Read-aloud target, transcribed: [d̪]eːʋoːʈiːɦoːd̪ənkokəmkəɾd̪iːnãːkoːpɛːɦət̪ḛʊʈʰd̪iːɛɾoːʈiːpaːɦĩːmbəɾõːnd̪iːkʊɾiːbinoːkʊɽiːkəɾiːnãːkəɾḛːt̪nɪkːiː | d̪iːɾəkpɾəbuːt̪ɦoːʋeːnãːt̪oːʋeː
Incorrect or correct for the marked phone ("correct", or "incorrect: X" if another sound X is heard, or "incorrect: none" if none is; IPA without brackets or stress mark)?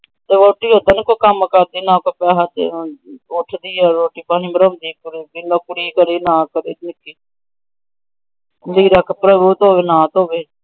incorrect: t̪